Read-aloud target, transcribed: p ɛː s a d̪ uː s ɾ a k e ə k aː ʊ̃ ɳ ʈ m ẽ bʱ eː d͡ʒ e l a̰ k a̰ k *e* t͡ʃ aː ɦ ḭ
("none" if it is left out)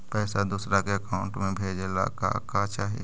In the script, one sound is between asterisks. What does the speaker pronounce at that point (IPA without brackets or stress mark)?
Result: a